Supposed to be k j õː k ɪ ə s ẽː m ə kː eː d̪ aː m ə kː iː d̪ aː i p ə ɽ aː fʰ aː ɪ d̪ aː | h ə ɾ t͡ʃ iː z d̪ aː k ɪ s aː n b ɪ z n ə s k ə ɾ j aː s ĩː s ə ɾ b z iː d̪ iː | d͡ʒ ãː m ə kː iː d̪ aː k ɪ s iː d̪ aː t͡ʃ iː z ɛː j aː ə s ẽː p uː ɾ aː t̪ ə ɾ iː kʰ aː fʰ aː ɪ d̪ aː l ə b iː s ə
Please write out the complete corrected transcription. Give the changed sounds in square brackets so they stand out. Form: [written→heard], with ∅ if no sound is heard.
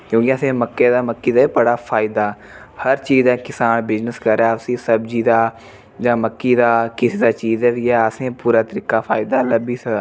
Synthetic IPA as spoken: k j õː k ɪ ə s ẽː m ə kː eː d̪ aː m ə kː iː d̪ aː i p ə ɽ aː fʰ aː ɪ d̪ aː | h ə ɾ t͡ʃ iː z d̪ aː k ɪ s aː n b ɪ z n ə s k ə ɾ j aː s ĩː s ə [ɾ→∅] b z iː d̪ [iː→aː] | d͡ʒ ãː m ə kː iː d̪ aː k ɪ s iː d̪ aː t͡ʃ iː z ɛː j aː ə s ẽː p uː ɾ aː t̪ ə ɾ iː [kʰ→k] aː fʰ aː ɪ d̪ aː l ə b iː s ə